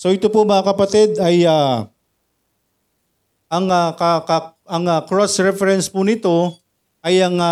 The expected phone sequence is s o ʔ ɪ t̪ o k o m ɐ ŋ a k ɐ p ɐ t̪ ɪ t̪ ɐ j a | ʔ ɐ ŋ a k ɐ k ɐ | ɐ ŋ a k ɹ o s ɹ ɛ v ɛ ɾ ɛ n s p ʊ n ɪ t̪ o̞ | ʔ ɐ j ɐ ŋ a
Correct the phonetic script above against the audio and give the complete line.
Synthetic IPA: s o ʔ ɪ t̪ o p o m ɐ ŋ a k ɐ p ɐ t̪ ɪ d̪ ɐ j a | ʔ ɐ ŋ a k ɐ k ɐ | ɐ ŋ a k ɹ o s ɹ ɛ f ɛ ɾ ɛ n s p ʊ n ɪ t̪ o̞ | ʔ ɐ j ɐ ŋ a